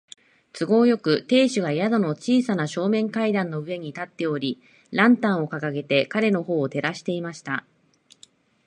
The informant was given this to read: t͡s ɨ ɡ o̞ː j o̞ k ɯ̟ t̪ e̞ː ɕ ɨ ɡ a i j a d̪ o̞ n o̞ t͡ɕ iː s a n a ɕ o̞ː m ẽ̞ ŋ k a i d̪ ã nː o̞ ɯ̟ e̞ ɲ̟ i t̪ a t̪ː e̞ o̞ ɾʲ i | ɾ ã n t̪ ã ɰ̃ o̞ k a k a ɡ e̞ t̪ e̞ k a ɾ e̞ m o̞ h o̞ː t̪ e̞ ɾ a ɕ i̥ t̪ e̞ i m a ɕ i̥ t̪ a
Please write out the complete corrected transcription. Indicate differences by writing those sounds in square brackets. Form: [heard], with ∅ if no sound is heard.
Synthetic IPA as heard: t͡s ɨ ɡ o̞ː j o̞ k ɯ̟ t̪ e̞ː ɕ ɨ ɡ a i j a d̪ o̞ n o̞ t͡ɕ iː s a n a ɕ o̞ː m ẽ̞ ŋ k a i d̪ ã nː o̞ ɯ̟ e̞ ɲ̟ i t̪ a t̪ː e̞ o̞ ɾʲ i | ɾ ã n t̪ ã ɰ̃ o̞ k a k a ɡ e̞ t̪ e̞ k a ɾ e̞ [n] o̞ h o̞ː t̪ e̞ ɾ a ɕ i̥ t̪ e̞ i m a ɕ i̥ t̪ a